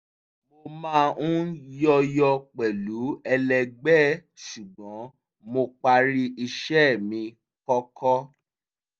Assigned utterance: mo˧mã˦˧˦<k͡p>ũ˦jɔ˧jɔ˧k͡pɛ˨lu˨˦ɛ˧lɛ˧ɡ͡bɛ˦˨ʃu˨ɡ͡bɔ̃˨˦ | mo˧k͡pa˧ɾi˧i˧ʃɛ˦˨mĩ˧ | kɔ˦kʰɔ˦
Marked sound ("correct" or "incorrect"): incorrect